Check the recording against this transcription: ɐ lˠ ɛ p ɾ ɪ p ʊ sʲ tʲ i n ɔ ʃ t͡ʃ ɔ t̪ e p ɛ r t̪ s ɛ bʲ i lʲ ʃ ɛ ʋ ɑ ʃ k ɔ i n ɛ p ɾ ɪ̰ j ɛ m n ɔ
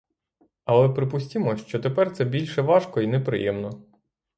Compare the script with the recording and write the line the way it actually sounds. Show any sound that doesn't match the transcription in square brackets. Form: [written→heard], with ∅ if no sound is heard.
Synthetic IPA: ɐ lˠ ɛ p ɾ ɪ p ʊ sʲ tʲ i [n→m] ɔ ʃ t͡ʃ ɔ t̪ e p ɛ r t̪ s ɛ bʲ i lʲ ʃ ɛ ʋ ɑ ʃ k ɔ i n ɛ p ɾ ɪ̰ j ɛ m n ɔ